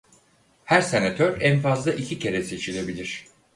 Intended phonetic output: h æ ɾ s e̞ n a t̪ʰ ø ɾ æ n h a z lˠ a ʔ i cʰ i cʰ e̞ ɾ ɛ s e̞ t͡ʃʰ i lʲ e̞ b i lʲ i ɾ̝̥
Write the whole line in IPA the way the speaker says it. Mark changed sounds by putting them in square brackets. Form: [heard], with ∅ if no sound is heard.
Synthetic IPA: h æ ɾ s e̞ n a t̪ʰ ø ɾ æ n [f] a z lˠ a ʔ i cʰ i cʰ e̞ ɾ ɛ s e̞ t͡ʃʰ i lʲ e̞ b i lʲ i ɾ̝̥